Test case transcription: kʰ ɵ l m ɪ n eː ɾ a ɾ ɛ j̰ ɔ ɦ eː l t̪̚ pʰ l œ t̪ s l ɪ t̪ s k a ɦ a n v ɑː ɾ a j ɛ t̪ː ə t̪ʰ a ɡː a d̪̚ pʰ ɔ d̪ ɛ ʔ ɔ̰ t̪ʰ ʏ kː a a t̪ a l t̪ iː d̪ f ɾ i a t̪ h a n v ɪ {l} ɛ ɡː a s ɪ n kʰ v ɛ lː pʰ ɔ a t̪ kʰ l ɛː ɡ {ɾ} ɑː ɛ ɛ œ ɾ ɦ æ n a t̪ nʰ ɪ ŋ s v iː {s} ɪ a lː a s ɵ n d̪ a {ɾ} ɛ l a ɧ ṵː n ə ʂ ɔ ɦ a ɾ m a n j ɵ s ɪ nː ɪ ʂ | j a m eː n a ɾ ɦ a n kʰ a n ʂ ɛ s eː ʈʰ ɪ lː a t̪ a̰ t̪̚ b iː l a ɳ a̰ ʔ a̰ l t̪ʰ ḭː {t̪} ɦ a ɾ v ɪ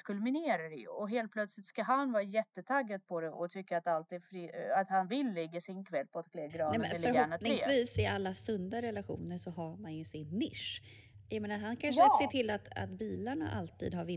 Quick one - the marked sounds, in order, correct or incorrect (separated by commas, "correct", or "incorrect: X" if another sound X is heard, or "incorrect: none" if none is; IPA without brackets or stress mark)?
incorrect: lː, correct, correct, correct, incorrect: d̪